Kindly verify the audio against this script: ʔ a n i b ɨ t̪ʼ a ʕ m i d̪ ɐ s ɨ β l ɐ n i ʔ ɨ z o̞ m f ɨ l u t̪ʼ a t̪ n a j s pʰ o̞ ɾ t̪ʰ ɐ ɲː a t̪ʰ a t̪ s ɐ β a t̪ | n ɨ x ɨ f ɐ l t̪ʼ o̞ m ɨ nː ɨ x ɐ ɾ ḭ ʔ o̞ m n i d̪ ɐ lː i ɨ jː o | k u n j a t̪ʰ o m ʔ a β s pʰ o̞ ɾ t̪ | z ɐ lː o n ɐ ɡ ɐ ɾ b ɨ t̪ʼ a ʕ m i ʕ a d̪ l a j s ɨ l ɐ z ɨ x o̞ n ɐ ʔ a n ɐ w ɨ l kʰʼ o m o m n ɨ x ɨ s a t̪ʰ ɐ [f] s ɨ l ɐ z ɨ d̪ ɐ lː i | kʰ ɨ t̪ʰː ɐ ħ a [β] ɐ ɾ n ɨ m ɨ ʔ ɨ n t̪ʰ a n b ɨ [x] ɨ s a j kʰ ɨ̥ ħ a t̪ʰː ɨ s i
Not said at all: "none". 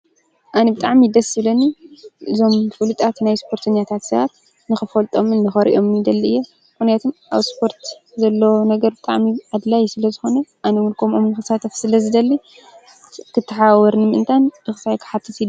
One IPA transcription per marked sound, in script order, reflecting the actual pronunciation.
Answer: f, w, x

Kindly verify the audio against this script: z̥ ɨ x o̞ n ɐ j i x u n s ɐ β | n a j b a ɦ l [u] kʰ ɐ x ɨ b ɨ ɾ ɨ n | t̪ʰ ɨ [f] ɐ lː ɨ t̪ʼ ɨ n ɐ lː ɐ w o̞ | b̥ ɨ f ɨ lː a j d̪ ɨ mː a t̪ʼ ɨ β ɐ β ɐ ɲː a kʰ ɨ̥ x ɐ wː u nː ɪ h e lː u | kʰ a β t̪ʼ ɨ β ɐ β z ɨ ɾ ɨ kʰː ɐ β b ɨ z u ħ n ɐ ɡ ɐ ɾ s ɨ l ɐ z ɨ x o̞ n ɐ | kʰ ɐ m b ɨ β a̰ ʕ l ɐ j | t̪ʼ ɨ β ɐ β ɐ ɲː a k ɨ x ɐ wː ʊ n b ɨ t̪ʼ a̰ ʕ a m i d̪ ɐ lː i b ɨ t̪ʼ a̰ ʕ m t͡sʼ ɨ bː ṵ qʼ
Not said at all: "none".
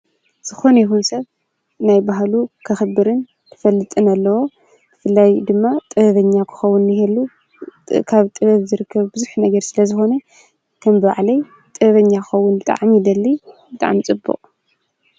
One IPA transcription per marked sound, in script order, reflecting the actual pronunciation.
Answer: u, f

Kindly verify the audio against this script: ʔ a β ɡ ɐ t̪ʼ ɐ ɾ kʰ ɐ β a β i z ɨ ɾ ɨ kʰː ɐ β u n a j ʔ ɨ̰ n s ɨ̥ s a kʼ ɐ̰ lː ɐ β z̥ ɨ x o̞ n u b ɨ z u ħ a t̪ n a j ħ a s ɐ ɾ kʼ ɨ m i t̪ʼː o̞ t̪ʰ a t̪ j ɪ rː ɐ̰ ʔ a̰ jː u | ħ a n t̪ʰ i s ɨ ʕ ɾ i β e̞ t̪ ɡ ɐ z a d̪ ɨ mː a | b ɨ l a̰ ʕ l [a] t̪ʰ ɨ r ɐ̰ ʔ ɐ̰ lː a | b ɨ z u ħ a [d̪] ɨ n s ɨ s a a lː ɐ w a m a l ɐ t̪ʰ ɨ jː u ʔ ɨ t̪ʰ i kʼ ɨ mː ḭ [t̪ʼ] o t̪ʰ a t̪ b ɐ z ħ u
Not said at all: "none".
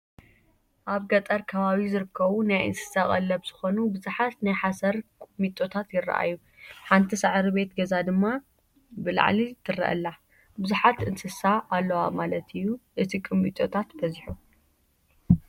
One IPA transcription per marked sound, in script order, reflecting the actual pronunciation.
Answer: i, t̪, t̪ʼ

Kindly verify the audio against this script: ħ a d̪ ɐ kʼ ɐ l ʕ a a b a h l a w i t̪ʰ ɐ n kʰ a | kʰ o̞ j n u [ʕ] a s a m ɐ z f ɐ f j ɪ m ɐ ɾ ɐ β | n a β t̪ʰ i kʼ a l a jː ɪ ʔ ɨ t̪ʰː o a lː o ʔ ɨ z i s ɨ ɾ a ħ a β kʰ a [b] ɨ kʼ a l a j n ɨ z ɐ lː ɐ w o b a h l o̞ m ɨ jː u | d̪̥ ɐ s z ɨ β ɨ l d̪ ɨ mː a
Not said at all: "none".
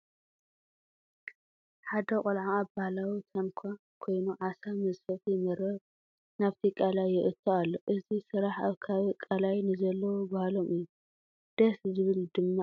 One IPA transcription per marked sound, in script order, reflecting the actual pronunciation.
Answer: ʕ, β

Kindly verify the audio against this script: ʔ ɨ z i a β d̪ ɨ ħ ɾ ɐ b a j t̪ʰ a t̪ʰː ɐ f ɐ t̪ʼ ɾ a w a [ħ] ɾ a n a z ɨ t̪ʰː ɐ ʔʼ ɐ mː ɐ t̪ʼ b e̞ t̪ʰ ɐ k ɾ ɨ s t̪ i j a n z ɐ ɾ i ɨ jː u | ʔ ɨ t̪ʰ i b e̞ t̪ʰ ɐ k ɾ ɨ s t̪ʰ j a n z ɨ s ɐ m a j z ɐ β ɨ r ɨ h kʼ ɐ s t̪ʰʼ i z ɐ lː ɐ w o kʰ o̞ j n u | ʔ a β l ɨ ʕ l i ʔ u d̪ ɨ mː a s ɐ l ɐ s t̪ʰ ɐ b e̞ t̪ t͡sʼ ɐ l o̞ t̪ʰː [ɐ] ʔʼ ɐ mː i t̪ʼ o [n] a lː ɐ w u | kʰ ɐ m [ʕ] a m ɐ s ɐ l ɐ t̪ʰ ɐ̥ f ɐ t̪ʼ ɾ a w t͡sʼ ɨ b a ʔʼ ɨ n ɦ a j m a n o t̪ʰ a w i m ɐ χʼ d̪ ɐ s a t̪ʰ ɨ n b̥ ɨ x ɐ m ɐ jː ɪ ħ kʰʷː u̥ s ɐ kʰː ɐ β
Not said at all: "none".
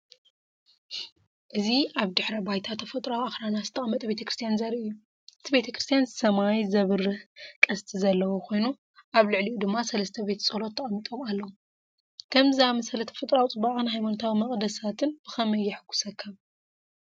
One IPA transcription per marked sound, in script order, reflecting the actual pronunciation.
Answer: x, ɐ, m, z

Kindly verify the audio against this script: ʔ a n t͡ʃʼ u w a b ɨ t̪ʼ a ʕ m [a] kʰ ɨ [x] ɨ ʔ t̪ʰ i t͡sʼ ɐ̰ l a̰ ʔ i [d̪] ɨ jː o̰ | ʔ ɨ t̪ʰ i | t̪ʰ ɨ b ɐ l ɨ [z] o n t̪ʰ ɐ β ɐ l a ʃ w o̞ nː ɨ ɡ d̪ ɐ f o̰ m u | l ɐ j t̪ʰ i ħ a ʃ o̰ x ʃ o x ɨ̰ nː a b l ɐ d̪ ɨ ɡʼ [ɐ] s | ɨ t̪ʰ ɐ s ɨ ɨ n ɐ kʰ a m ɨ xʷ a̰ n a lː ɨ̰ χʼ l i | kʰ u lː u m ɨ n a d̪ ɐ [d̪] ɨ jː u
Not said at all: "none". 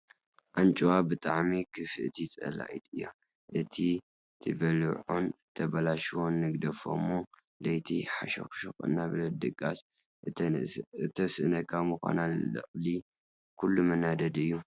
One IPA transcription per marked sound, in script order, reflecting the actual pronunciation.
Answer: i, f, t̪, ʕ, a, d̪

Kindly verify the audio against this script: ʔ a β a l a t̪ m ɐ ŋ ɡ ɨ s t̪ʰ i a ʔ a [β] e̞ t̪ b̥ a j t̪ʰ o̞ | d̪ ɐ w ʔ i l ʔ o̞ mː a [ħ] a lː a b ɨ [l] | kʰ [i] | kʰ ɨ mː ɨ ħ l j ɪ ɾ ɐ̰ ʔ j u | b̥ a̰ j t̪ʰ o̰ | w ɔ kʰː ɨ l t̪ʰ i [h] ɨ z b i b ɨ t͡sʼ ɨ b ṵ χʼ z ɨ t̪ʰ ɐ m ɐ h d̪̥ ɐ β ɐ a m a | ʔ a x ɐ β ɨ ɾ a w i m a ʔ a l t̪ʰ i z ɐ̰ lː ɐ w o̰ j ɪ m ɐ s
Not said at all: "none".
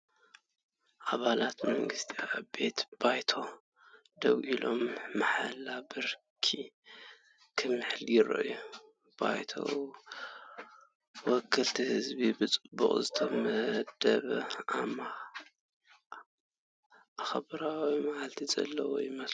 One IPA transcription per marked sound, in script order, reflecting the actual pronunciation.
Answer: b, ħ, ɾ, i, h

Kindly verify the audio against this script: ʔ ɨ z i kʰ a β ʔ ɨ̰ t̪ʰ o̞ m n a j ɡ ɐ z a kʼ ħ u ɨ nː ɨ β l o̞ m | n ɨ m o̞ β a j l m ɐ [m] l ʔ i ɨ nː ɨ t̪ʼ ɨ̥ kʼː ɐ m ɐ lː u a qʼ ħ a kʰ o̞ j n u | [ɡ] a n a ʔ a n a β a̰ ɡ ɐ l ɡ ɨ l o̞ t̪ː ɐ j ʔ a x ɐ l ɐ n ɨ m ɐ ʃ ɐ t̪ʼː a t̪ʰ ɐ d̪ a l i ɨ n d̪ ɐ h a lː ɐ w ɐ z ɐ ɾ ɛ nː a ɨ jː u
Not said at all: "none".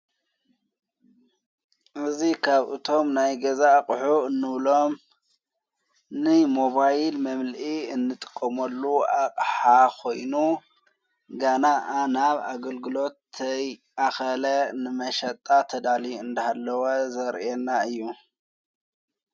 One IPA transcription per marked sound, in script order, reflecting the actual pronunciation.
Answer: m, ɡ

